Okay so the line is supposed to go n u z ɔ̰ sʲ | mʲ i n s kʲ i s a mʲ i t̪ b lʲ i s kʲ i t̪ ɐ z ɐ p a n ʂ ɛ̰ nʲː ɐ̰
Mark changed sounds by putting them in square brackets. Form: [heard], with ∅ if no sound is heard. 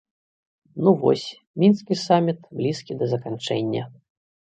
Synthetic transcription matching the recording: n u [v] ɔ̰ sʲ | mʲ i n s kʲ i s a mʲ i t̪ b lʲ i s kʲ i [d̪] ɐ z ɐ [k] a n [t͡ʂ] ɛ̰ nʲː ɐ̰